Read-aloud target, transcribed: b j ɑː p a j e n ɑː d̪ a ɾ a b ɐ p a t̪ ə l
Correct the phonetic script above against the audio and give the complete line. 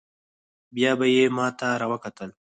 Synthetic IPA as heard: b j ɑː b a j e m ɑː t̪ a ɾ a w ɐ k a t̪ ə l